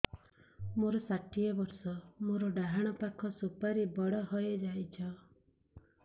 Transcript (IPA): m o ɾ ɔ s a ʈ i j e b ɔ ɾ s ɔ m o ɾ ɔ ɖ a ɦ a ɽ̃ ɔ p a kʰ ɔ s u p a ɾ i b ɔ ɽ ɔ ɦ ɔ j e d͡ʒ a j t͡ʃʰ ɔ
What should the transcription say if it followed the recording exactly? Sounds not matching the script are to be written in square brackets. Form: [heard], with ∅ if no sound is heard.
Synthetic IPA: m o ɾ ɔ s a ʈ i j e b ɔ ɾ s ɔ m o ɾ ɔ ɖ a ɦ a ɽ̃ ɔ p a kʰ ɔ s u p a ɾ i b ɔ ɽ ɔ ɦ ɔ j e d͡ʒ a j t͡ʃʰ ɔ